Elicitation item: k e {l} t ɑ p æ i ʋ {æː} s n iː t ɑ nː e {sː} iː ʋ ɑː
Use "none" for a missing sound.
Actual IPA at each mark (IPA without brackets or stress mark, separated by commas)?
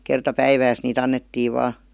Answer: r, æː, tː